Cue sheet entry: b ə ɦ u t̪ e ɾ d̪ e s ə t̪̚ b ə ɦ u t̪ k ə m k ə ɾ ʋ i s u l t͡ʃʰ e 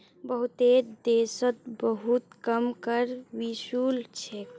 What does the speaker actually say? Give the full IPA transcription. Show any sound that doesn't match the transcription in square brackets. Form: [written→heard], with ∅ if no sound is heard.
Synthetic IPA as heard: b ə ɦ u t̪ e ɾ d̪ e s ə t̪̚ b ə ɦ u t̪ k ə m k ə ɾ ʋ i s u l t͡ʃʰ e

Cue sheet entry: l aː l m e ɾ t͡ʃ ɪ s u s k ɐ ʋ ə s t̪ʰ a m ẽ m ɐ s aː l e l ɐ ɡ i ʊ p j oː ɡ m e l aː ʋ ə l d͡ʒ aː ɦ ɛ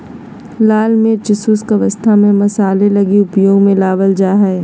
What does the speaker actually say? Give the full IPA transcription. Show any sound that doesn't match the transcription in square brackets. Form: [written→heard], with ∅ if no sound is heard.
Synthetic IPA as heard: l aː l m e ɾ t͡ʃ ɪ s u s k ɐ ʋ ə s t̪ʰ a m ẽ m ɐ s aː l e l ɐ ɡ i ʊ p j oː ɡ m [e→ẽ] l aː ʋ ə l d͡ʒ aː ɦ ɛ

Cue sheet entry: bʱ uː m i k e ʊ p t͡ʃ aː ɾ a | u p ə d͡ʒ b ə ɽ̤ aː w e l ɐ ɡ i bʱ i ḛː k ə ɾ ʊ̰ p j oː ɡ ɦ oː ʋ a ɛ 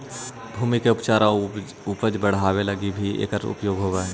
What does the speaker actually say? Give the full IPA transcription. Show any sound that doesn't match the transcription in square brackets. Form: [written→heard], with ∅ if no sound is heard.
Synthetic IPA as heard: bʱ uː m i k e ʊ p t͡ʃ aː ɾ a | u p ə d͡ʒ b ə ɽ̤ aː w e l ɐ ɡ i bʱ i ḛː k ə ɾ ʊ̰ p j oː ɡ ɦ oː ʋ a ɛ

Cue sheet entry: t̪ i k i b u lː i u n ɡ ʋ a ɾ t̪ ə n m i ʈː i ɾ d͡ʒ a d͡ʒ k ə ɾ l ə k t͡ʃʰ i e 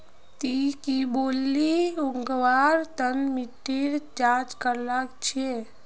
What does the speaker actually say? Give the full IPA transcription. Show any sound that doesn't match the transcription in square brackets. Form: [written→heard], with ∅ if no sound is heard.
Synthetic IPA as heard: t̪ i k i b [u→o] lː i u [n→ŋ] ɡ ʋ a ɾ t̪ ə n m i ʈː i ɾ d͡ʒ a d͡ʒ k ə ɾ l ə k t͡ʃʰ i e

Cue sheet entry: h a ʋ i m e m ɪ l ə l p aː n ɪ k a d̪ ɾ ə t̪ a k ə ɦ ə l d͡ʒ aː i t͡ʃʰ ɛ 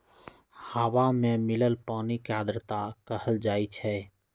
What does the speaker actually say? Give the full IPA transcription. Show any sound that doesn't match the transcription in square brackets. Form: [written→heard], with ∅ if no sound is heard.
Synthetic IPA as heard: h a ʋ [i→a] m e m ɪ l ə l p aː n [ɪ→i] k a d̪ ɾ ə t̪ a k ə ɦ ə l d͡ʒ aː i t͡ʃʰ ɛ

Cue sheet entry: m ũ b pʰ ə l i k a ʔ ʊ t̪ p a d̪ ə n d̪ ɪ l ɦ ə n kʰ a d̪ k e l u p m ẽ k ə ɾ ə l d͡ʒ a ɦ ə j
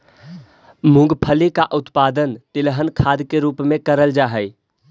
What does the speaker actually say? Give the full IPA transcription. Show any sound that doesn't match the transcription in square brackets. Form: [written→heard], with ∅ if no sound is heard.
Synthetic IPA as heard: m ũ [b→ɡ] pʰ ə l i k a ʔ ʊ t̪ p a d̪ ə n [d̪→t̪] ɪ l ɦ ə n kʰ a d̪ k e [l→ɾ] u p m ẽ k ə ɾ ə l d͡ʒ a ɦ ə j

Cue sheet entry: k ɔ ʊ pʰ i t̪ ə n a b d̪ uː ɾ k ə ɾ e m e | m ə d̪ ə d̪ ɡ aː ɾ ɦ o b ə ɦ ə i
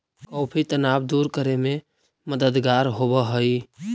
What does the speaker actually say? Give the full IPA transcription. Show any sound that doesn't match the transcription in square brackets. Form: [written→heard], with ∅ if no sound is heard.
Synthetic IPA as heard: k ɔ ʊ pʰ i t̪ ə n a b d̪ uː ɾ k ə ɾ e m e | m ə d̪ ə d̪ ɡ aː ɾ ɦ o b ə ɦ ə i

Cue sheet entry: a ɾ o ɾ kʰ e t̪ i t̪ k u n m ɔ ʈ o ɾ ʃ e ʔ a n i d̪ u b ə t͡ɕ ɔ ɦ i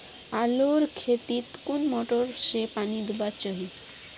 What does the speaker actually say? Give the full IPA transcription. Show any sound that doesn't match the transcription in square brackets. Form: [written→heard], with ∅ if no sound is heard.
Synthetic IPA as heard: a [ɾ→l] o ɾ kʰ e t̪ i t̪ k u n m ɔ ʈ o ɾ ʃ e [ʔ→p] a n i d̪ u b [ə→a] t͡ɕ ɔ ɦ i

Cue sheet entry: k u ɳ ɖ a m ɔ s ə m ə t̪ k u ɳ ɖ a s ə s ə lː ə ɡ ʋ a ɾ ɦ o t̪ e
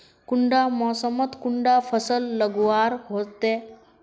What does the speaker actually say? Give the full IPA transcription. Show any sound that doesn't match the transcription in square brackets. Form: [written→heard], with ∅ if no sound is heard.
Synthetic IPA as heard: k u ɳ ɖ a m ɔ s ə m ə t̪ k u ɳ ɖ a [s→f] ə s ə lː ə ɡ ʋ a ɾ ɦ o t̪ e

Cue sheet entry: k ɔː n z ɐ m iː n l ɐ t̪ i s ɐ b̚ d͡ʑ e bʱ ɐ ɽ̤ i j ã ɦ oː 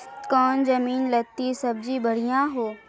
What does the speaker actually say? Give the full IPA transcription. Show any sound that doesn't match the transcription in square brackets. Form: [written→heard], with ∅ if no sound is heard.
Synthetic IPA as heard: k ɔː n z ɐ m iː n l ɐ t̪ i s ɐ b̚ d͡ʑ [e→i] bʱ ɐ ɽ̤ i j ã ɦ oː

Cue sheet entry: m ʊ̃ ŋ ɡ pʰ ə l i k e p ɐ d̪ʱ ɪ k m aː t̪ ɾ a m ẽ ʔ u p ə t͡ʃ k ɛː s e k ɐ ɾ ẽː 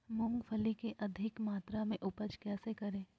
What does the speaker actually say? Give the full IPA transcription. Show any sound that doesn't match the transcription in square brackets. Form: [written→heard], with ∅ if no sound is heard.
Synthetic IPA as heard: m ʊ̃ ŋ ɡ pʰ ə l i k e [p→ʔ] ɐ d̪ʱ ɪ k m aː t̪ ɾ a m ẽ ʔ [u→ʊ] p ə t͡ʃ k ɛː s e k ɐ ɾ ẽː

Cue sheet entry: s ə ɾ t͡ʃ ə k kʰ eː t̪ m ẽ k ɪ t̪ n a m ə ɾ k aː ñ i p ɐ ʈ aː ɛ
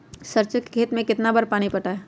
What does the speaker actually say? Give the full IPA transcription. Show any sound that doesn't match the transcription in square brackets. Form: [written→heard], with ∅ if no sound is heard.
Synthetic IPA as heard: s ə ɾ t͡ʃ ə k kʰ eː t̪ m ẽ k ɪ t̪ n a [m→b] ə ɾ [k→p] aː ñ i p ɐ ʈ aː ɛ

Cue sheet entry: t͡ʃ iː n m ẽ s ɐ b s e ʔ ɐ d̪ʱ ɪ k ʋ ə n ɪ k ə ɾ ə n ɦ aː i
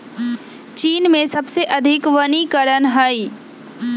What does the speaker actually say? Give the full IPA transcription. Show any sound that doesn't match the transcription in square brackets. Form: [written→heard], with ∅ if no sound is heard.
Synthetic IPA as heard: t͡ʃ iː n m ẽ s ɐ b s e ʔ ɐ d̪ʱ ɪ k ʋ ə n [ɪ→i] k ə ɾ ə n ɦ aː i

